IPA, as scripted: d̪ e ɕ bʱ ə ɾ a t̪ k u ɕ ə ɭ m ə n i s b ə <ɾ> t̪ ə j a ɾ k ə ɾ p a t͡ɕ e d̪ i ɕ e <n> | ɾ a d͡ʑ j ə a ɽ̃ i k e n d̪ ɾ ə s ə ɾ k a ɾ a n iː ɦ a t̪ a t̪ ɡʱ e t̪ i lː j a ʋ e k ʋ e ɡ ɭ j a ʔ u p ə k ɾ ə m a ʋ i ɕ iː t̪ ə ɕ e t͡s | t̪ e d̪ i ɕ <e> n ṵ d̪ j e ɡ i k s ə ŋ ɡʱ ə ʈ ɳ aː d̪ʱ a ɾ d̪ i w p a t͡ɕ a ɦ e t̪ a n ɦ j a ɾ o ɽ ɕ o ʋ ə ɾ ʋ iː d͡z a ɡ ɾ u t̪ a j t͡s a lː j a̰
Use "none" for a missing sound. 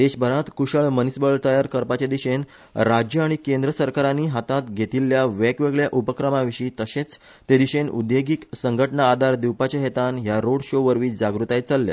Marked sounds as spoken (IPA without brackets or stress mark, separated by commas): ɭ, n, e